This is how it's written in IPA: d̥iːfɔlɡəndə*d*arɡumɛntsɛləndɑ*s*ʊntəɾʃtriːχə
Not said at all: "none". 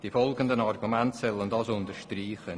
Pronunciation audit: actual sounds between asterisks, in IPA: n, s

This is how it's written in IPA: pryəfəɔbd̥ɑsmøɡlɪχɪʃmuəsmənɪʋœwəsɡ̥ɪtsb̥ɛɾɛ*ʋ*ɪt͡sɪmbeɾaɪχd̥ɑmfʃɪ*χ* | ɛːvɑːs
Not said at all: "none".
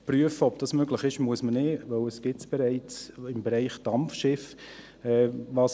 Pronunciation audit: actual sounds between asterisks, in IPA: none, f

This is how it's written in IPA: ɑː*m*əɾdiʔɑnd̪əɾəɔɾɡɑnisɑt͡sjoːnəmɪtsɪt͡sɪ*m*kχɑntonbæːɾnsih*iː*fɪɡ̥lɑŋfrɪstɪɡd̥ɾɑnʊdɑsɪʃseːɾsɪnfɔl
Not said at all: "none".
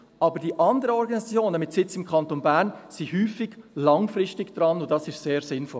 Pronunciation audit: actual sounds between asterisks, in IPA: b, m, yː

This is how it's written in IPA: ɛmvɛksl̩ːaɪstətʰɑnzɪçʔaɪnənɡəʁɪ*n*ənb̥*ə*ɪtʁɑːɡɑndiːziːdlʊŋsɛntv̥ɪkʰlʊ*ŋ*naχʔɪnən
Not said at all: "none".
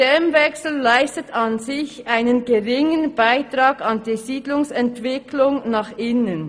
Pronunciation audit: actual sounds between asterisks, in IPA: ŋ, a, ŋ

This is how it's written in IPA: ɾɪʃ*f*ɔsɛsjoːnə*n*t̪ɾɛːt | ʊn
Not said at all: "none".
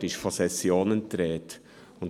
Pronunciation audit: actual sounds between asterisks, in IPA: f, n

